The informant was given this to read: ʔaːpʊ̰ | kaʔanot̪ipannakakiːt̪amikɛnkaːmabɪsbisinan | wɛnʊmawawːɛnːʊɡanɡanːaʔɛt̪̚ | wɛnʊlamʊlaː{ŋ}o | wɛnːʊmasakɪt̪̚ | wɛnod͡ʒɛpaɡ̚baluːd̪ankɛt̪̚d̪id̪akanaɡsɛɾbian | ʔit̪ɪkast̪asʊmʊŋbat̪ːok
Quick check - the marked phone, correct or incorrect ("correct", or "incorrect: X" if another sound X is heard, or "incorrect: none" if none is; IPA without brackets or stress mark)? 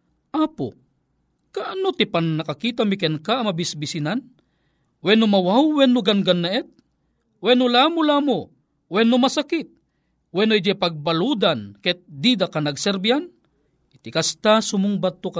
incorrect: m